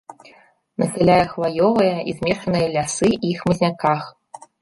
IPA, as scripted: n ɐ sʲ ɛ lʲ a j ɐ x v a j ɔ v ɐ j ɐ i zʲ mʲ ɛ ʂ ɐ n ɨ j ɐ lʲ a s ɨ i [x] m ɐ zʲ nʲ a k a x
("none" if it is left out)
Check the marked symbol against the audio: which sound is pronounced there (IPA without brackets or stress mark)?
x